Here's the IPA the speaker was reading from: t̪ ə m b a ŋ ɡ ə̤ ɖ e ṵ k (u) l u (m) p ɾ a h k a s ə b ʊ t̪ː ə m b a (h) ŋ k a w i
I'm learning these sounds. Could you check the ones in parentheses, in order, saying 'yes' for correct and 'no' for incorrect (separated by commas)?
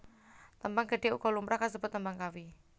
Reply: no, yes, no